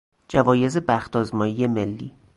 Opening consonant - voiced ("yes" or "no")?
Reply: yes